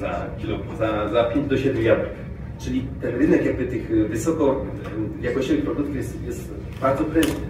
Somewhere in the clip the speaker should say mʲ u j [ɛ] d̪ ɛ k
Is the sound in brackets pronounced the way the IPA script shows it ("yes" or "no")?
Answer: no